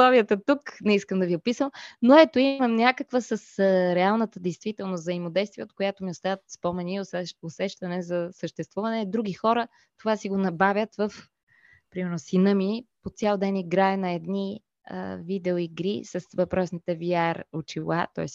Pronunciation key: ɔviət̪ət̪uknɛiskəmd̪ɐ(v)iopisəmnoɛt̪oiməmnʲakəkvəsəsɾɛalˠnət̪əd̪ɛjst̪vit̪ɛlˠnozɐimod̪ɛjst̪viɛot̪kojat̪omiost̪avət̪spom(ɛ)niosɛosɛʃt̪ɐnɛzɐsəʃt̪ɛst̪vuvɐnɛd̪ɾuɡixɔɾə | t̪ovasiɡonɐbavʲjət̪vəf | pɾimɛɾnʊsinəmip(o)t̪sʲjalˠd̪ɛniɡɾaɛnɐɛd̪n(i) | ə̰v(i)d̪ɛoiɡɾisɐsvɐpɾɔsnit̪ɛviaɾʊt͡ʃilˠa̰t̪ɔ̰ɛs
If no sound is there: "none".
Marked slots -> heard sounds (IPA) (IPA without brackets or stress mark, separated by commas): v, ɛ, o, i, i